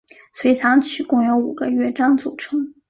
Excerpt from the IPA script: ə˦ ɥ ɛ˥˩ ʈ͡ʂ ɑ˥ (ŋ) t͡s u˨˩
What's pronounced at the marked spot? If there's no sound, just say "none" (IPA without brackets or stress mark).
ŋ